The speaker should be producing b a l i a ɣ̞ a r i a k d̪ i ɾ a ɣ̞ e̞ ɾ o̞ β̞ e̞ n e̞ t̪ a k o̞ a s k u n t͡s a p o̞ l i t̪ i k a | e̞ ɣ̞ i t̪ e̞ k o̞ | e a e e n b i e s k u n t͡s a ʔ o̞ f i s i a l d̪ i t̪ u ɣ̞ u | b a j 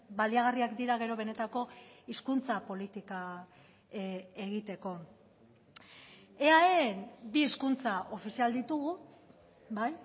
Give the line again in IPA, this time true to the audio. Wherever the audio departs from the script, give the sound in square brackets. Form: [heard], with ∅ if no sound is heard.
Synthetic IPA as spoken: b a l i a ɣ̞ a r i a k d̪ i ɾ a ɣ̞ e̞ ɾ o̞ β̞ e̞ n e̞ t̪ a k o̞ [i] s k u n t͡s a p o̞ l i t̪ i k a | e̞ ɣ̞ i t̪ e̞ k o̞ | e a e e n b i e s k u n t͡s a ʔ o̞ f i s i a l d̪ i t̪ u ɣ̞ u | b a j